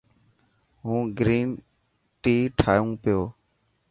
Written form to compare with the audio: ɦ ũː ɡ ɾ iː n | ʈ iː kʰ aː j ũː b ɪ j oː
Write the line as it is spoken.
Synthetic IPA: ɦ ũː ɡ ɾ iː n | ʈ iː ʈʰ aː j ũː p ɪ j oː